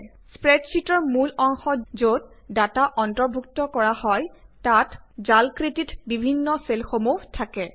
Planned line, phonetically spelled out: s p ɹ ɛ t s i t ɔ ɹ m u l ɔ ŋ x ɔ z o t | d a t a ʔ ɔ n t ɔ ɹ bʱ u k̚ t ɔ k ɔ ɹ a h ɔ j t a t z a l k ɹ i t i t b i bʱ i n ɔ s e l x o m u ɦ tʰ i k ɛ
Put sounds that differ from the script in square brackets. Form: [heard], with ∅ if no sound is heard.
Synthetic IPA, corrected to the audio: s p ɹ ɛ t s i t ɔ ɹ m u l ɔ ŋ x ɔ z o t | d a t a ʔ ɔ n t ɔ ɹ bʱ u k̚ t ɔ k ɔ ɹ a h ɔ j t a t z a l k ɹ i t i t b i bʱ i [nː] ɔ s e l x o m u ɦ tʰ [a] k ɛ